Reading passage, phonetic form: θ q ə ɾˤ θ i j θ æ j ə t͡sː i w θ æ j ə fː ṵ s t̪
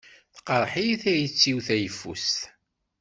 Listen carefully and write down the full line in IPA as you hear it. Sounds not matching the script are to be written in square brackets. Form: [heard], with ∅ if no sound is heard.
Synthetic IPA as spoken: θ q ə ɾˤ [ħ] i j θ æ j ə t͡sː i w θ æ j ə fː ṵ s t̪